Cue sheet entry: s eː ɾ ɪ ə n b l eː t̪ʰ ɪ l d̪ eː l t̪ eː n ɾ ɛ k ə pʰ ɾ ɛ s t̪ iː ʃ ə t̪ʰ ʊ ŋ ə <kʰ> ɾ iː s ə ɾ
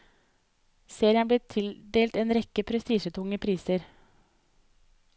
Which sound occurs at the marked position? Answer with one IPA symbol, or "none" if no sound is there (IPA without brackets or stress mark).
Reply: pʰ